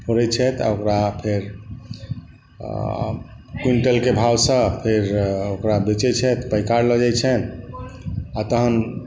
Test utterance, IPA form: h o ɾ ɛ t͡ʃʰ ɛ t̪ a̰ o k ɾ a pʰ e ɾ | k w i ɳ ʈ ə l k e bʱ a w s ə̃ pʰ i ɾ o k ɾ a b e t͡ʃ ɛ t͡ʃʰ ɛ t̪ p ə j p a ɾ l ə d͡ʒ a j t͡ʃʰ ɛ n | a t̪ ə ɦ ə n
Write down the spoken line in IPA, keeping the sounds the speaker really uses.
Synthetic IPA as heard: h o ɾ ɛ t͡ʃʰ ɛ t̪ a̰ o k ɾ a pʰ e ɾ | k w i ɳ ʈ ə l k e bʱ a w s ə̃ pʰ e ɾ o k ɾ a b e t͡ʃ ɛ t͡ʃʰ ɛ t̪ p ə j k a ɾ l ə d͡ʒ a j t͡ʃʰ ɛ n | a t̪ ə ɦ ə n